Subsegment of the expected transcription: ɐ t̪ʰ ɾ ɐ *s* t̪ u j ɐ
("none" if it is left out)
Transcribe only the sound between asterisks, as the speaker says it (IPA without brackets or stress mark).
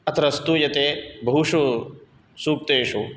s